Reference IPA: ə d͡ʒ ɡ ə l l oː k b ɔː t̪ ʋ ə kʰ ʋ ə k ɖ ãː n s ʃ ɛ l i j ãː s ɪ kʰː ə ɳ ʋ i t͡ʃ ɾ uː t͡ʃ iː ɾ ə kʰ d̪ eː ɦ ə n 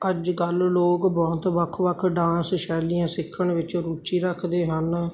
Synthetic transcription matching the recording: ə d͡ʒ ɡ ə l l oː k b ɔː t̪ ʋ ə kʰ ʋ ə kʰ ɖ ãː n s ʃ ɛː l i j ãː s ɪ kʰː ə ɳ ʋ ɪ t͡ʃ ɾ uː t͡ʃ iː ɾ ə kʰ d̪ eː ɦ ə n